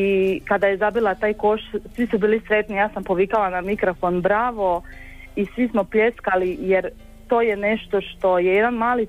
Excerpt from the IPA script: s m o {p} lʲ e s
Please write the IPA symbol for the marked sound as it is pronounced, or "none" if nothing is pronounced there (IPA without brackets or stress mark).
p